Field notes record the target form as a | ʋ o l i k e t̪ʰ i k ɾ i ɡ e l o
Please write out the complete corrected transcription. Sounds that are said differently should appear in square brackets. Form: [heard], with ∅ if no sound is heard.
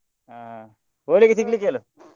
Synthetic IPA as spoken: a | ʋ o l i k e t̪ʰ i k [l] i [k] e l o